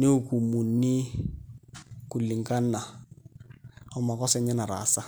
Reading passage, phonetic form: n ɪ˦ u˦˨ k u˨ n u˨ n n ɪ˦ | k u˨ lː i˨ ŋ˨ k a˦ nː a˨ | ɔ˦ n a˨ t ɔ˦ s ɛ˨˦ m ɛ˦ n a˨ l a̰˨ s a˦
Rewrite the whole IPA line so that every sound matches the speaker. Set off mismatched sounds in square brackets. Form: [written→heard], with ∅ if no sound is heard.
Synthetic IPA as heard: n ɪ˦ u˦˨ k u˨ [n→m] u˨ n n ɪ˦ | k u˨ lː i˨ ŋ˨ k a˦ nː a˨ | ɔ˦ [n→m] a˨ [t→k] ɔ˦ s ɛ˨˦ [m→ɲ] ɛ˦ n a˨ [l→ɾ] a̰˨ s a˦